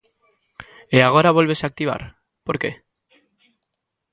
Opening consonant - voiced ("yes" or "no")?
yes